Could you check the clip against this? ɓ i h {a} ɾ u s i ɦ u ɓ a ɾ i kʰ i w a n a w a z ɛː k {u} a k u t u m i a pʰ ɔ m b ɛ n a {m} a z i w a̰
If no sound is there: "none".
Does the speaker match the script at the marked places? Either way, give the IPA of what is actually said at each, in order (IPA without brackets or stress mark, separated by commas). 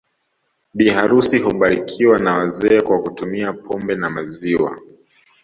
a, w, m